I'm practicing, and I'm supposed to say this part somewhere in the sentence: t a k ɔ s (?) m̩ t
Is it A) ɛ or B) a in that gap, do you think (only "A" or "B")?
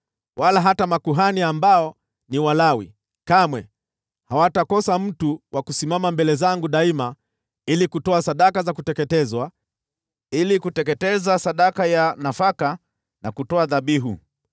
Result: B